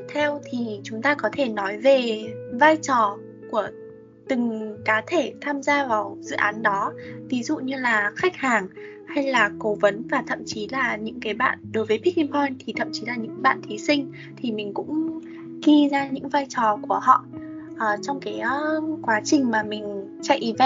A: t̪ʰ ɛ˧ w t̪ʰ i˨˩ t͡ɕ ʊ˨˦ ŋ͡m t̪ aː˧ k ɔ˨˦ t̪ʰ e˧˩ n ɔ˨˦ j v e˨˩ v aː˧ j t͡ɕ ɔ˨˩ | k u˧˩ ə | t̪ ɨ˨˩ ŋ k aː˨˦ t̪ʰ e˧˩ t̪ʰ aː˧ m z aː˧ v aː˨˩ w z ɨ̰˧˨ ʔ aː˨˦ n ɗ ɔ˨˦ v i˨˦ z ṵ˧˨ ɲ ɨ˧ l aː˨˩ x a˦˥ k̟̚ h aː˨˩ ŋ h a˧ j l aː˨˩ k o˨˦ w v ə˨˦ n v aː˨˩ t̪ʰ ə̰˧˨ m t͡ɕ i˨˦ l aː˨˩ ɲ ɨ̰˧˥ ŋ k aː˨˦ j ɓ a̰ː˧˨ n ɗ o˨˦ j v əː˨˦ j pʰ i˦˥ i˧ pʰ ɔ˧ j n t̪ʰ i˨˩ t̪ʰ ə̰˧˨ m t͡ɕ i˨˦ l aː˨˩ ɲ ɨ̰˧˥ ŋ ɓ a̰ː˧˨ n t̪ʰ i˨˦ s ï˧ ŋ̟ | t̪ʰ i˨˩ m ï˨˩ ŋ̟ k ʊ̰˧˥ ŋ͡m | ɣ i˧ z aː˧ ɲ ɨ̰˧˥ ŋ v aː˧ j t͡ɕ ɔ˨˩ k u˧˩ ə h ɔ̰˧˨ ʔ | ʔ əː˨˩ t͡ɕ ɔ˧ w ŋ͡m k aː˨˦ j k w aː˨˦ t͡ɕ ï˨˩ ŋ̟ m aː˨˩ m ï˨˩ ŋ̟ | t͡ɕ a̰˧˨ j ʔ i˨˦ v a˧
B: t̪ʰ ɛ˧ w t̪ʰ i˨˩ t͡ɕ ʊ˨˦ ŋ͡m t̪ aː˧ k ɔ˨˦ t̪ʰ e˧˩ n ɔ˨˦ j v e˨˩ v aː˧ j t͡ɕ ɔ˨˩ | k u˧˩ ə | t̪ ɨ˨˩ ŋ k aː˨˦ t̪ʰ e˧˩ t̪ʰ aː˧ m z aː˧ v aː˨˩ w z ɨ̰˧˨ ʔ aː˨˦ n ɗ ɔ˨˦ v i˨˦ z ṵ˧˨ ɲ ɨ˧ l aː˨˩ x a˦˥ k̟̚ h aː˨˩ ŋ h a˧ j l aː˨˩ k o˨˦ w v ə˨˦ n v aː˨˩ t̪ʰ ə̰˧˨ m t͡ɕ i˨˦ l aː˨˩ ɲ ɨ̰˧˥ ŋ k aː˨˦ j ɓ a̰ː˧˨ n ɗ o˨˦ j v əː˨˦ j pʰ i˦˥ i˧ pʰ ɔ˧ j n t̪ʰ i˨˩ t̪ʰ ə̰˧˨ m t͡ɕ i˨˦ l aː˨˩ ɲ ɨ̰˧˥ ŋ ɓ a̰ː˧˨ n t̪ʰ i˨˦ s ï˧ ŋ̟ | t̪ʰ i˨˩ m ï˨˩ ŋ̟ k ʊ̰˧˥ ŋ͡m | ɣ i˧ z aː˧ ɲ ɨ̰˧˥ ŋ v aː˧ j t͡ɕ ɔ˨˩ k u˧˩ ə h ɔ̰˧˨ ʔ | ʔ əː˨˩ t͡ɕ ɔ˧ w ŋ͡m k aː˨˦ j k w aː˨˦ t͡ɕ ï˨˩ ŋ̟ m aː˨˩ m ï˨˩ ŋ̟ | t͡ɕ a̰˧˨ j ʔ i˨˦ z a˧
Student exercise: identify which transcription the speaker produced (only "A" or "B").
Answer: A